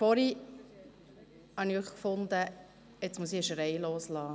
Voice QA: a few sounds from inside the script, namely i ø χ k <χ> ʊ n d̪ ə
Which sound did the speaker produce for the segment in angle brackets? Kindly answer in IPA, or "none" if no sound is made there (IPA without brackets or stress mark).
f